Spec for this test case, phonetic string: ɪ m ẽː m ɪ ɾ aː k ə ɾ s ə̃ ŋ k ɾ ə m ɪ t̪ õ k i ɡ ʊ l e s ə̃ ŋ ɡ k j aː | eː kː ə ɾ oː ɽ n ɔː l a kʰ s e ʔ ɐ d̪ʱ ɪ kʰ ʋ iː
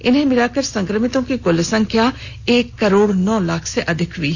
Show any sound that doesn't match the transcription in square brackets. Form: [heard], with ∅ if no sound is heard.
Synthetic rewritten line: ɪ [n] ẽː m ɪ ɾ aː k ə ɾ s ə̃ ŋ k ɾ ə m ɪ t̪ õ k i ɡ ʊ l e s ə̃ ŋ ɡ k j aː | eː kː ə ɾ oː ɽ n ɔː l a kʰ s e ʔ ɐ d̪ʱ ɪ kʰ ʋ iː